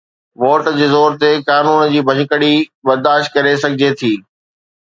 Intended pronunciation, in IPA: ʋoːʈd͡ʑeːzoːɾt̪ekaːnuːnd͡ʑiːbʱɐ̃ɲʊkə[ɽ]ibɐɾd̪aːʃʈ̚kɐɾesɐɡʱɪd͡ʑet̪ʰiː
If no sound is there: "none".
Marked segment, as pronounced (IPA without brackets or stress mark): ɽ